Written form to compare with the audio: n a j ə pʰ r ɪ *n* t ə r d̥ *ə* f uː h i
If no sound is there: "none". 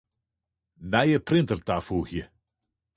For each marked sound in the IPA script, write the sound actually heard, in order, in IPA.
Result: n, a

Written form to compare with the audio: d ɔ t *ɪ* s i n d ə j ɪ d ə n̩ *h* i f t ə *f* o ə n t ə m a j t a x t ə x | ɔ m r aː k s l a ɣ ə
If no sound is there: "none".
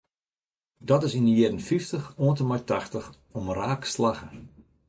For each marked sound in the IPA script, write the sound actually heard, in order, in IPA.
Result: ɪ, f, x

